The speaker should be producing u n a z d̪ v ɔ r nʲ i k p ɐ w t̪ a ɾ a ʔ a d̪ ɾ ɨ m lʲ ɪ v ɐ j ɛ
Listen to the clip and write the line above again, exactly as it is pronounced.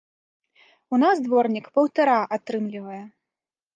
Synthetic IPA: u n a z d̪ v ɔ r nʲ i k p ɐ w t̪ a ɾ a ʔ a t̪ ɾ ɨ m lʲ i v ɐ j ɛ